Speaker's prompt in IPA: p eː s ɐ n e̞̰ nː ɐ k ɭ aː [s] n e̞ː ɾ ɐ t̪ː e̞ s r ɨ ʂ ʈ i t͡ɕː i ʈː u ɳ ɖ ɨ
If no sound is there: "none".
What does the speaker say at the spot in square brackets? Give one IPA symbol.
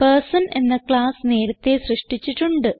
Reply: s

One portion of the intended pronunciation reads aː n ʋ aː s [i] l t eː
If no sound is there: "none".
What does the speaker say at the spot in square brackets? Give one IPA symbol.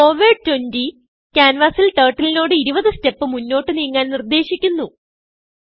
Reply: i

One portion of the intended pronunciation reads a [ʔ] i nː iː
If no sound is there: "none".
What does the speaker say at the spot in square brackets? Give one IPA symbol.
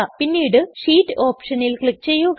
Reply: p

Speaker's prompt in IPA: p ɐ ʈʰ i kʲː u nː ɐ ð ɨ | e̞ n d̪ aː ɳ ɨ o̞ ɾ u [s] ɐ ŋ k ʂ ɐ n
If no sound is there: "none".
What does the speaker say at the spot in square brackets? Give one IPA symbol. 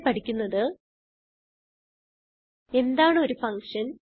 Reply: f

